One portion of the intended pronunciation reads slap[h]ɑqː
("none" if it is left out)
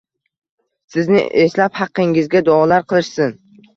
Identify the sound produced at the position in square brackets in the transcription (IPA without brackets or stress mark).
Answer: h